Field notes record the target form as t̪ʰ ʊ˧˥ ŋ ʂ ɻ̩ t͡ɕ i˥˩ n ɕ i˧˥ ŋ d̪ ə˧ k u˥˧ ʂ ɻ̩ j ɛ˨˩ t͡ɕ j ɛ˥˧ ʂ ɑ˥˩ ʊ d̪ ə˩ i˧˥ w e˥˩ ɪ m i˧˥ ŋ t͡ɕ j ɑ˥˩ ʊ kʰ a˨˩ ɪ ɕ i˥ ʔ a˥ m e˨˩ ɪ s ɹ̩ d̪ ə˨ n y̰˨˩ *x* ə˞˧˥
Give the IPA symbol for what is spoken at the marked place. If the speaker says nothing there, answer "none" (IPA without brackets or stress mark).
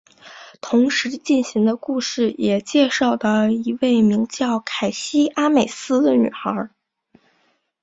x